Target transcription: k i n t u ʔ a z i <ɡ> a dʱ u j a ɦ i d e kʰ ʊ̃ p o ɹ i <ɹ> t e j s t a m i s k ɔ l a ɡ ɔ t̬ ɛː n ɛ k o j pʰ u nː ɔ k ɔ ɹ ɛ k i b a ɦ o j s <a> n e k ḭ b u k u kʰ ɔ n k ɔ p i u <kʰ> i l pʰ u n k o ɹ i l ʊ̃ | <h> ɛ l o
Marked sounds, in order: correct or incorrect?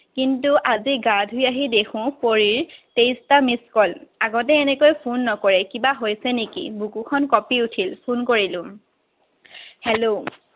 correct, correct, incorrect, incorrect, correct

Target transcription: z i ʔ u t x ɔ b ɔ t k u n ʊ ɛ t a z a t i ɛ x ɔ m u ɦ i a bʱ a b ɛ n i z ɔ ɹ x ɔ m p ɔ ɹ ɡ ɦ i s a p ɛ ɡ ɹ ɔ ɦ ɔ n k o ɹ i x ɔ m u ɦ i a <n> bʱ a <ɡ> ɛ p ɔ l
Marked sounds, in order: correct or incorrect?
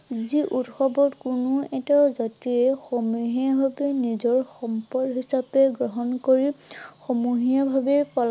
incorrect, incorrect

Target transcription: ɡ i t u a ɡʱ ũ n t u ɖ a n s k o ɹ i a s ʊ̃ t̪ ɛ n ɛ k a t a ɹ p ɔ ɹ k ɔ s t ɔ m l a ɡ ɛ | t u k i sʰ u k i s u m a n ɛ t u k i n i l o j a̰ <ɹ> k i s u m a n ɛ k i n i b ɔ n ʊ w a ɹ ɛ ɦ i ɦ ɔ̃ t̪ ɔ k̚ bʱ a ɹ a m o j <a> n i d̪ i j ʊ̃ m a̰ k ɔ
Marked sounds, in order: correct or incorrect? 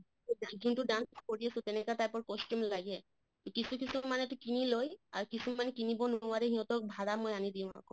correct, correct

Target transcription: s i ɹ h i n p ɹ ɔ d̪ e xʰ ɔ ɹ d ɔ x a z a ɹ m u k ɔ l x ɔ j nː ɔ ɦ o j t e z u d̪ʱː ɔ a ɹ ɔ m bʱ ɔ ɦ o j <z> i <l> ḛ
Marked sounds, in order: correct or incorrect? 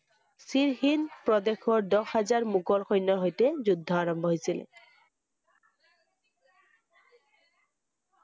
incorrect, correct

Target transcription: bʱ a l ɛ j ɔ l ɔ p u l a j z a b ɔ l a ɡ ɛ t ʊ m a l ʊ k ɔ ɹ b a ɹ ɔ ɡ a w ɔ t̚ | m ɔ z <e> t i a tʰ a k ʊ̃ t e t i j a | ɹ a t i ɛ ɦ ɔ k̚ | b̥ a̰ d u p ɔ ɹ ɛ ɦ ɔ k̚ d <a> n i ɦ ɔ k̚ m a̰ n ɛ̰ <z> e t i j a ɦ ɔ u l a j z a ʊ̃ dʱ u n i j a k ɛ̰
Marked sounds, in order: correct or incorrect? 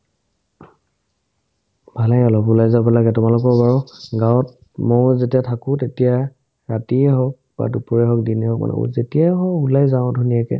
correct, incorrect, correct

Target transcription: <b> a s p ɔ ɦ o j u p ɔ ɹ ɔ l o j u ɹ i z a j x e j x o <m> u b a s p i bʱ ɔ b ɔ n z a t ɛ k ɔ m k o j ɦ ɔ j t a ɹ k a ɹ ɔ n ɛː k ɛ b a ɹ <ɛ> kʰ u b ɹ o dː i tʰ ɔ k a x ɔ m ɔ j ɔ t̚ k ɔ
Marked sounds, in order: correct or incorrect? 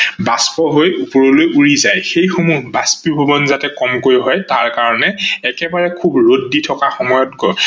correct, correct, correct

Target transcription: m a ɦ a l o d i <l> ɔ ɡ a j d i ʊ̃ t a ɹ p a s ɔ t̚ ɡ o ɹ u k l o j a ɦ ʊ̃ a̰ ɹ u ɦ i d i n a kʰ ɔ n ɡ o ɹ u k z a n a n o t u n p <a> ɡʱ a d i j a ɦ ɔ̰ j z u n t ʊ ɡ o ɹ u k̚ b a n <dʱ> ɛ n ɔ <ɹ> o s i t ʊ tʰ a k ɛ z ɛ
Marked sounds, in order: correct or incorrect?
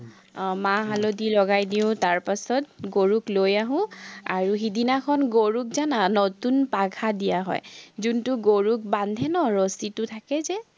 correct, correct, correct, correct

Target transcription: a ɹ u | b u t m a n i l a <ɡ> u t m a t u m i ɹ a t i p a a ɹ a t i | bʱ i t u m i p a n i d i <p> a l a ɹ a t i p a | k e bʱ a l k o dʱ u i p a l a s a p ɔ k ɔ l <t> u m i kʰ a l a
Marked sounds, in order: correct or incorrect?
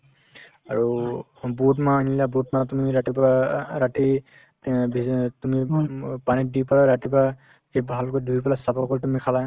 incorrect, correct, correct

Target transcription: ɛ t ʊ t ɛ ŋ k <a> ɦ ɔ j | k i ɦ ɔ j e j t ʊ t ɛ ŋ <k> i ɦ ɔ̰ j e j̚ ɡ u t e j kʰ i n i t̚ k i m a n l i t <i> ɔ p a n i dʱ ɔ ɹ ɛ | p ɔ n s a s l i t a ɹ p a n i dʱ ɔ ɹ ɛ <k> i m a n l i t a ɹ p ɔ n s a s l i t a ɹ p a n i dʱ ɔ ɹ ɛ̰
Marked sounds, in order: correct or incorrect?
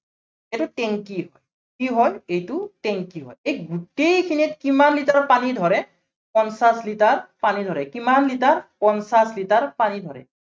incorrect, correct, incorrect, correct

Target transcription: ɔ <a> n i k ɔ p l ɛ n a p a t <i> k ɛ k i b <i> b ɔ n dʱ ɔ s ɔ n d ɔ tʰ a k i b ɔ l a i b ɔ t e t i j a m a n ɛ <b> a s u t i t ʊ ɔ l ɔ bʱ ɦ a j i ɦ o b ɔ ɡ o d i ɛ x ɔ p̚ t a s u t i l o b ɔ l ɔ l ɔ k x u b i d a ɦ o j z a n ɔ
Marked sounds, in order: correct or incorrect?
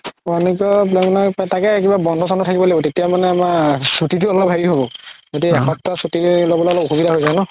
correct, incorrect, incorrect, incorrect

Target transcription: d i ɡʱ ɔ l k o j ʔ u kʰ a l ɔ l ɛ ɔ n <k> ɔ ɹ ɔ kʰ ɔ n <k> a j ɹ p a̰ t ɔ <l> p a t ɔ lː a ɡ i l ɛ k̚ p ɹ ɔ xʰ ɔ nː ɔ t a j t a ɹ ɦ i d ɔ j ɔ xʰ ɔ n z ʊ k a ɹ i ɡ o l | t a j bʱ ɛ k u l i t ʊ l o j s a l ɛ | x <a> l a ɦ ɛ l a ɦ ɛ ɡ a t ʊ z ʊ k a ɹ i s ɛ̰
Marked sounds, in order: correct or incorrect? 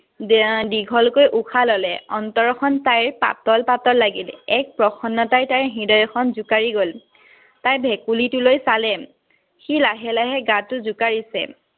incorrect, incorrect, correct, incorrect

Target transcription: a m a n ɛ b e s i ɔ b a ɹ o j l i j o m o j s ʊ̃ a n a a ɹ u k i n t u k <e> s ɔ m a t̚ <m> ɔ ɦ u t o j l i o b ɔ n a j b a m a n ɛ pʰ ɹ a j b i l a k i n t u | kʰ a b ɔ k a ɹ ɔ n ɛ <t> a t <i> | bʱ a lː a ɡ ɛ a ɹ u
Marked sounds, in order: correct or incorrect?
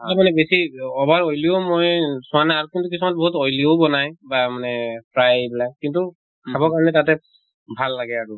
incorrect, incorrect, correct, incorrect

